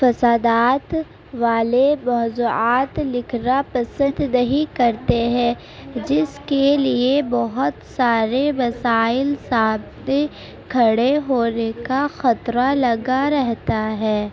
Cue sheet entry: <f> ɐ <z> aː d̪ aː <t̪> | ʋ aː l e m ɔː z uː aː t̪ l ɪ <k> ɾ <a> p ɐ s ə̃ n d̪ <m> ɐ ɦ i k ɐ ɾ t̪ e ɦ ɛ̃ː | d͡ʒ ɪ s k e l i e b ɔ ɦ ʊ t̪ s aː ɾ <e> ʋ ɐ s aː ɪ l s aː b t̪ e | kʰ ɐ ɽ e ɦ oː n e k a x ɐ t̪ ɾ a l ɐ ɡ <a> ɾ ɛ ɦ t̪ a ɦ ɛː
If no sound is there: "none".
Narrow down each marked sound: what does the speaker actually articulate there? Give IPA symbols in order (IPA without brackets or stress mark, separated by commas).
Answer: f, s, t̪, kʰ, a, n, e, a